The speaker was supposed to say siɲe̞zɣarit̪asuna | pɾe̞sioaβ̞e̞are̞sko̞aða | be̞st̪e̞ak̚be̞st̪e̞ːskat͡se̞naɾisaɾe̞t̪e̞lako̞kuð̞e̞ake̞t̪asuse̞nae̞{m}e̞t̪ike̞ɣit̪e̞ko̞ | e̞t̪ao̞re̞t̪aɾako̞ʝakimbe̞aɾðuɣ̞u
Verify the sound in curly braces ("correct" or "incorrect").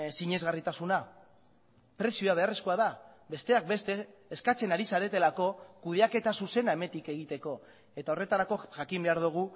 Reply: correct